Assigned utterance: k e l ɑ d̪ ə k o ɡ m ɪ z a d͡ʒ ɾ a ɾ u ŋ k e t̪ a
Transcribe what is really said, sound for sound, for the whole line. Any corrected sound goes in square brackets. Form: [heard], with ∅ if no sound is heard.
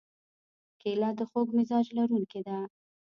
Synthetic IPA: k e l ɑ d̪ ə [x] o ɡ m ɪ z [ɑ] d͡ʒ [l] a ɾ u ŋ k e [d̪] a

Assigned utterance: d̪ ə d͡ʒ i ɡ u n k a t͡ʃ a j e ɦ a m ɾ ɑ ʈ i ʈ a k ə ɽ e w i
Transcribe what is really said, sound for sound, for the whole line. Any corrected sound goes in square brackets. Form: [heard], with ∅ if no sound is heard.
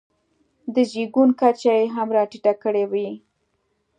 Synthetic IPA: d̪ ə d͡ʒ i ɡ u n k a t͡ʃ a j e ɦ a m ɾ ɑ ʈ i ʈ a k ə ɽ e w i

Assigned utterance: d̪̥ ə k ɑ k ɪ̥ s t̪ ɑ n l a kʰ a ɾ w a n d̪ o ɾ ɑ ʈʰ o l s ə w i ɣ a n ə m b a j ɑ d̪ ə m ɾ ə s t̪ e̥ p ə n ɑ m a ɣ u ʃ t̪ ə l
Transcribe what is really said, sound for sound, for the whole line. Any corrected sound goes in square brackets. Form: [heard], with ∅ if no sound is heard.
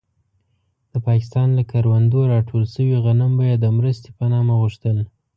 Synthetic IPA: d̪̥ ə [p] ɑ k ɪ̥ s t̪ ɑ n l a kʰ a ɾ w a n d̪ o ɾ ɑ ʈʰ o l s ə w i ɣ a n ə m b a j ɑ d̪ ə m ɾ ə s t̪ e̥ p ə n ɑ m a ɣ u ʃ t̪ ə l

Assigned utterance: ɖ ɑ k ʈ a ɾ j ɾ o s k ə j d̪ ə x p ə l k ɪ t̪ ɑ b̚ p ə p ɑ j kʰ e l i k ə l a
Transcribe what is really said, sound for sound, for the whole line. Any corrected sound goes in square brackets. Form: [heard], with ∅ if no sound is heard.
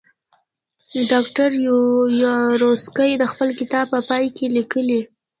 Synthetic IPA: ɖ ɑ k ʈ a ɾ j ɾ o s k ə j d̪ ə x p ə l k ɪ t̪ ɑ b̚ p ə p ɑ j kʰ e l i k ə l [i]

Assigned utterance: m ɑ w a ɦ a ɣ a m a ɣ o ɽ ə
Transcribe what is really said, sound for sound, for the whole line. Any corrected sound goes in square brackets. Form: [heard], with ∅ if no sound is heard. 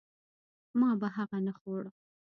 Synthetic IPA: m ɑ [b] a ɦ a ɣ a [n] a [x] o ɽ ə

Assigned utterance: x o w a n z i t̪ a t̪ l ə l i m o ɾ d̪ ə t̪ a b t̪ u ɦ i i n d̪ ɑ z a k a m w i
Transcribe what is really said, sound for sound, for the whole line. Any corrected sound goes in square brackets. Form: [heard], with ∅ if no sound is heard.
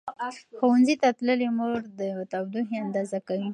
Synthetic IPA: x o w a n z i t̪ a t̪ l ə l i m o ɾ d̪ ə t̪ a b [d̪] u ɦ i [a] n d̪ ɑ z a k a [∅] w i

